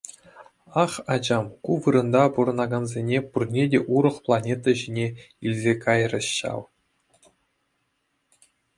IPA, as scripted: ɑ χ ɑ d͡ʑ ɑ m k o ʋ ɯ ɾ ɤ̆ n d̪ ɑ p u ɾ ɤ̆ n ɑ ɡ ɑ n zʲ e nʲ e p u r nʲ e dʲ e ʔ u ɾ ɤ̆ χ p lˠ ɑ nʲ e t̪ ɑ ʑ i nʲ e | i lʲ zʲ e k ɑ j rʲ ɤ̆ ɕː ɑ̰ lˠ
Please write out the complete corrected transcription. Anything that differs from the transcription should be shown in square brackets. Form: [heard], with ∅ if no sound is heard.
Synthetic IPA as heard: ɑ χ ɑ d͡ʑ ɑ m k [u] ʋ ɯ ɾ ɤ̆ n d̪ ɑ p u ɾ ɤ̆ n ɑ ɡ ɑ n zʲ e nʲ e p u r nʲ e dʲ e ʔ u ɾ ɤ̆ χ p lˠ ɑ nʲ e t̪ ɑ ʑ i nʲ e | i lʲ zʲ e k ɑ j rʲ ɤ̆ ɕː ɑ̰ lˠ